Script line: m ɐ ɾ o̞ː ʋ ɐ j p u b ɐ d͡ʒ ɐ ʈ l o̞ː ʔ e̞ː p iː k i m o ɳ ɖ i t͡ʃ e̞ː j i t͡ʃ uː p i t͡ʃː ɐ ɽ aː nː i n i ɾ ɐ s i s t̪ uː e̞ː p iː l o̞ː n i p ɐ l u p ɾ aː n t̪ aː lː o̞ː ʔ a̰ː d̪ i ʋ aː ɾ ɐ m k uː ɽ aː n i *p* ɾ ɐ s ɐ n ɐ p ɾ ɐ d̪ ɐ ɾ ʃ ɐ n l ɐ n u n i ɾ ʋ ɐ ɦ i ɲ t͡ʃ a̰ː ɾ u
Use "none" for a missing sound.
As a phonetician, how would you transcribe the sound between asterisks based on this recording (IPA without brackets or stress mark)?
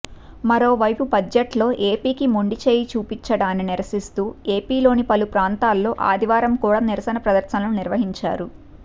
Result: none